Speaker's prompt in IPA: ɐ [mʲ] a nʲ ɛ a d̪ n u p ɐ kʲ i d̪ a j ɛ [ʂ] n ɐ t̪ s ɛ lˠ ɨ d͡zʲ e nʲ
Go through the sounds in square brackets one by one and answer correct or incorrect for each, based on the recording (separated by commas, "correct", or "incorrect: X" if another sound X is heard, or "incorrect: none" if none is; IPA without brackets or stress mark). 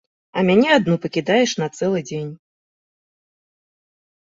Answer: correct, correct